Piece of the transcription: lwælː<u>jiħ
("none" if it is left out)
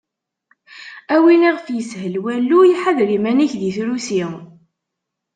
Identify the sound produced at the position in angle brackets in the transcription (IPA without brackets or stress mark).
u